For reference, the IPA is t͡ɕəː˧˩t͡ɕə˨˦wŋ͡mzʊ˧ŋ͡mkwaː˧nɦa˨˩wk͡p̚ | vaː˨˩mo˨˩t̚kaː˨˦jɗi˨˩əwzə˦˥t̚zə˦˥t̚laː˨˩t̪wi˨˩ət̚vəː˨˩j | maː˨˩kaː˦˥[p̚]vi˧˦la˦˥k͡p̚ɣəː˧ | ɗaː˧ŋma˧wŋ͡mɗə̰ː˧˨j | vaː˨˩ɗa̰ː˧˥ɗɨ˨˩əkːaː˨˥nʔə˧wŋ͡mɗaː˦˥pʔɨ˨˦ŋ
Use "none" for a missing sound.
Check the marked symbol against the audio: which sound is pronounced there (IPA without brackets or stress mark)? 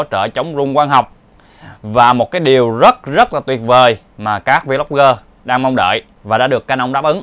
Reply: k̚